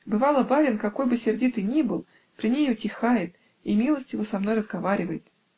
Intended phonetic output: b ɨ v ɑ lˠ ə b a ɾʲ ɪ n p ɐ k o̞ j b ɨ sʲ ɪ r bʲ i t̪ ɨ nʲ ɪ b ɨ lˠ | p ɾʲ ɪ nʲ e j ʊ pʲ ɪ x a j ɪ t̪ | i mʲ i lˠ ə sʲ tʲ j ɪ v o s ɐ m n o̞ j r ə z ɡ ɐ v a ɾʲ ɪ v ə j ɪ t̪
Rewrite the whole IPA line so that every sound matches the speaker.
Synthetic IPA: b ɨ v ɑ lˠ ə b a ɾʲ ɪ n k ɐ k o̞ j b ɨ sʲ ɪ r dʲ i t̪ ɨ nʲ i b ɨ lˠ | p ɾʲ ɪ nʲ e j ʊ tʲ ɪ x a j ɪ t̪ | i mʲ i lˠ ə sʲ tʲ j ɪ v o s ɐ m n o̞ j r ə z ɡ ɐ v a ɾʲ ɪ v ə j ɪ t̪

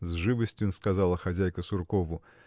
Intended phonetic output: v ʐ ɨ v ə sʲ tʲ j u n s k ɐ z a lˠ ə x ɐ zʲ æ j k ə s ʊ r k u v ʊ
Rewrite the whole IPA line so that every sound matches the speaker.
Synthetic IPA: z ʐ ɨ v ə sʲ tʲ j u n s k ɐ z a lˠ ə x ɐ zʲ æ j k ə s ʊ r k o v ʊ

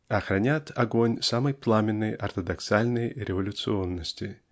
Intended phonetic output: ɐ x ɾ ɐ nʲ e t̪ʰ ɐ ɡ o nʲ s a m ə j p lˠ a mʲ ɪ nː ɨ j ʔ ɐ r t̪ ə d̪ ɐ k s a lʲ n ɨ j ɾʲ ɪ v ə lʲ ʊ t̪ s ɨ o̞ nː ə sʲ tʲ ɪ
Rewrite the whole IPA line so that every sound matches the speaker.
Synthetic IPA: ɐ x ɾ ɐ nʲ a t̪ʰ ɐ ɡ o nʲ s a m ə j p lˠ a mʲ ɪ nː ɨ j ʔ ɐ r t̪ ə d̪ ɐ k s a lʲ n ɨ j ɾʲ ɪ v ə lʲ ʊ t̪ s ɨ o̞ nː ə sʲ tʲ ɪ

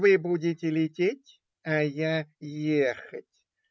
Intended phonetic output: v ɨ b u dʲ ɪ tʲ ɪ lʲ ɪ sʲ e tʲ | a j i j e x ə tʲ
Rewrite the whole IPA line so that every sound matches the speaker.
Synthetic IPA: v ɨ b u dʲ ɪ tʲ ɪ lʲ ɪ tʲ e tʲ | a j a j e x ə tʲ

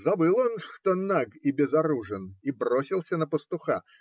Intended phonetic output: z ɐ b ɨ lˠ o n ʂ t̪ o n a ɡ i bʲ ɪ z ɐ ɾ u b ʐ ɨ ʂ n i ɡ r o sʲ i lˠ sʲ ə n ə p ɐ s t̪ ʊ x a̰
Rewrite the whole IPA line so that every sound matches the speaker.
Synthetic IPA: z ɐ b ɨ lˠ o n ʂ t̪ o n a ɡ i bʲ ɪ z ɐ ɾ u ʐ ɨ n i b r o sʲ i lˠ sʲ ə n ə p ə s t̪ ʊ x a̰

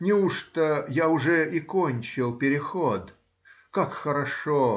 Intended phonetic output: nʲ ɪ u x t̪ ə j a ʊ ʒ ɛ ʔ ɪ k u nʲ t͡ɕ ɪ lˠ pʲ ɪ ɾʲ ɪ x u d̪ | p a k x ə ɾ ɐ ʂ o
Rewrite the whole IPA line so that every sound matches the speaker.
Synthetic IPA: nʲ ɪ u ʂ t̪ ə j a ʊ ʐ ɛ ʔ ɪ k o nʲ t͡ɕ ɪ lˠ pʲ ɪ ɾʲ ɪ x o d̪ | k a k x ə ɾ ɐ ʂ o

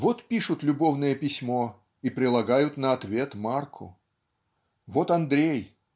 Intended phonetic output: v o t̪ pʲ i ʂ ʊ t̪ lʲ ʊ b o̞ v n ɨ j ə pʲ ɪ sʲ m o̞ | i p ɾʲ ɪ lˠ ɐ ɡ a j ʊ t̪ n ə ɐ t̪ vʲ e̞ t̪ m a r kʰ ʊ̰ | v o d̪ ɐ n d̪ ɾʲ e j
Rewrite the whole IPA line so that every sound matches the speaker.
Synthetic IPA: v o t̪ pʲ i ʂ ʊ t̪ lʲ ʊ b o̞ v n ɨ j ə pʲ ɪ sʲ m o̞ | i p ɾʲ ɪ lˠ ɐ ɡ a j ʊ t̪ n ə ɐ t̪ vʲ e̞ t̪ m a r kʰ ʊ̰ | v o t̪ ɐ n d̪ ɾʲ e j

